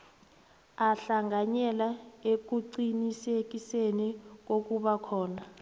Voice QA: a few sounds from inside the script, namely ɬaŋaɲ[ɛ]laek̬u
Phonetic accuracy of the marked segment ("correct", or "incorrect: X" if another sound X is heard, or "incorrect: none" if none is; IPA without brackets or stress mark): correct